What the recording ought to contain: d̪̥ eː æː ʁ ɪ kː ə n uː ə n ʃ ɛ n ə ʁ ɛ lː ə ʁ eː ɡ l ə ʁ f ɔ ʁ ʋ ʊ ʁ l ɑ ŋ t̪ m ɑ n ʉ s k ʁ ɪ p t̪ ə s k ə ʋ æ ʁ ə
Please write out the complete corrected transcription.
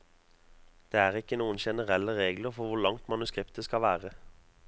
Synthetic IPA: d̪̥ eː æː ʁ ɪ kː ə n uː ə n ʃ ɛ n ə ʁ ɛ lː ə ʁ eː ɡ l ə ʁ f ɔ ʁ ʋ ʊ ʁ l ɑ ŋ t̪ m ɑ n ʉ s k ʁ ɪ p t̪ ə s k ɑ ʋ æː ʁ ə